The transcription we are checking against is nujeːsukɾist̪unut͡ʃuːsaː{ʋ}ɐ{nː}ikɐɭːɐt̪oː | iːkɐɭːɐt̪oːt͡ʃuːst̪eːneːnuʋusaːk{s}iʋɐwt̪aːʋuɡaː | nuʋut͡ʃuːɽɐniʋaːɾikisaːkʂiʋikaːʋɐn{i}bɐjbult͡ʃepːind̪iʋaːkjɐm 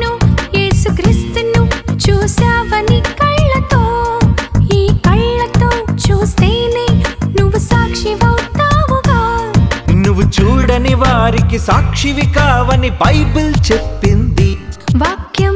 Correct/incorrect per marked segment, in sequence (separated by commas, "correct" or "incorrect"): correct, incorrect, incorrect, correct